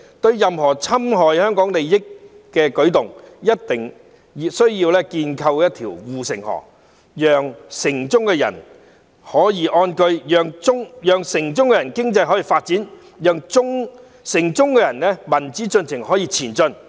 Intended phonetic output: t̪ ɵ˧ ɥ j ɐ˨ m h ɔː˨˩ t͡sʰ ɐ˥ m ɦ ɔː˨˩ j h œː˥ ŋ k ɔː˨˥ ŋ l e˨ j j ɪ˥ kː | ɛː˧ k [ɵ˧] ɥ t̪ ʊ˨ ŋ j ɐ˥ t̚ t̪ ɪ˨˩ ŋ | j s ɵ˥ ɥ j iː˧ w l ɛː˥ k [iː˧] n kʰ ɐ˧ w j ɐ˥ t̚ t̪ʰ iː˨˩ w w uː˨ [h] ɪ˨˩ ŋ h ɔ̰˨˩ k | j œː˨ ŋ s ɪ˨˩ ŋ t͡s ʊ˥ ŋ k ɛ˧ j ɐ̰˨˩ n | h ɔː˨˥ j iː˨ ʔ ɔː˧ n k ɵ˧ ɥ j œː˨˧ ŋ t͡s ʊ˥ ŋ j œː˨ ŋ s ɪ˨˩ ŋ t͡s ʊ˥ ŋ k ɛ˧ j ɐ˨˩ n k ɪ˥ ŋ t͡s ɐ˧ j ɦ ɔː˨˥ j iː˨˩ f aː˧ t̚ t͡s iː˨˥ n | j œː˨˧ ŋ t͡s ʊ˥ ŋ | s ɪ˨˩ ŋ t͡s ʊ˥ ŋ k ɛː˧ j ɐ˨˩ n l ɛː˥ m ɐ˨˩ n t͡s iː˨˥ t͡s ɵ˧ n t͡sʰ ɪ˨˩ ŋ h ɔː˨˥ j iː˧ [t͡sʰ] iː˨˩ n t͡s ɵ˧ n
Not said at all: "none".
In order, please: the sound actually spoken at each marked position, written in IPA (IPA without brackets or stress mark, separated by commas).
ɵ˨˥, iː˧, s, t͡sʰ